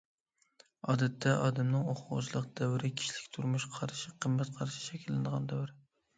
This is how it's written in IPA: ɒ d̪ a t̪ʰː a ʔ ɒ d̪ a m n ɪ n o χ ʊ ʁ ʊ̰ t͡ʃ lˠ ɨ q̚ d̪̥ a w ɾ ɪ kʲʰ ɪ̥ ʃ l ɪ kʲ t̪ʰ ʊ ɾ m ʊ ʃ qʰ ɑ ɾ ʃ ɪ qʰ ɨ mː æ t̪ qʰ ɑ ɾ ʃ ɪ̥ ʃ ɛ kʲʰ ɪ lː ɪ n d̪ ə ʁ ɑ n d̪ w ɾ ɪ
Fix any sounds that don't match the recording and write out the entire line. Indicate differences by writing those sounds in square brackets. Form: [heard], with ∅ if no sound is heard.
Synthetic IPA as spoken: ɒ d̪ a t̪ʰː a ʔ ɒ d̪ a m n ɪ [ŋ] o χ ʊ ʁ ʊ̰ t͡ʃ lˠ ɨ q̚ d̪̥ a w ɾ ɪ kʲʰ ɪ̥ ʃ l ɪ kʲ t̪ʰ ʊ ɾ m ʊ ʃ qʰ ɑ ɾ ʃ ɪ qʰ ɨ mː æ t̪ qʰ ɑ ɾ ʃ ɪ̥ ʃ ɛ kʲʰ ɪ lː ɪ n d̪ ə ʁ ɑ n d̪ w ɾ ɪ